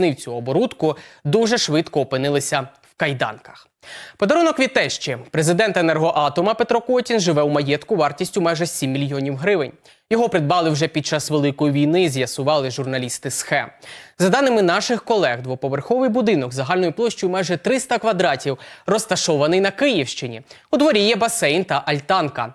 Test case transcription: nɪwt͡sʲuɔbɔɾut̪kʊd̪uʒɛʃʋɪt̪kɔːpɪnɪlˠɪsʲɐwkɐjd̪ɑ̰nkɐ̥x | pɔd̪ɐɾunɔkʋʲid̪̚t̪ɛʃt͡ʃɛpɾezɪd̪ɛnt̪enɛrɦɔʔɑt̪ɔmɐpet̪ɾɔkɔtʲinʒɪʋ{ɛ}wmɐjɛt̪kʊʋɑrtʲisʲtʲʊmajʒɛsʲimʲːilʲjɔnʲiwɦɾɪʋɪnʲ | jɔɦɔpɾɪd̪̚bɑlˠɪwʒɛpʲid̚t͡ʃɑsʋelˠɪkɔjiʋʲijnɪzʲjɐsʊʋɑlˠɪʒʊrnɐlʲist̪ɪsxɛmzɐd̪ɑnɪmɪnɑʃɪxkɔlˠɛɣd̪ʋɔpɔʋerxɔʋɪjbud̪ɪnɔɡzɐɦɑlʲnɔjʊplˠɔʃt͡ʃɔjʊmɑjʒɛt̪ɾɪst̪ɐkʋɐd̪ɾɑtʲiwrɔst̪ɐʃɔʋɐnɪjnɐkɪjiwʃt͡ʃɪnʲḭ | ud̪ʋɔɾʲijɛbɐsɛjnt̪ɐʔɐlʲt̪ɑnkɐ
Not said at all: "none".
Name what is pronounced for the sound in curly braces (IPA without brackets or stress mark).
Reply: ɛ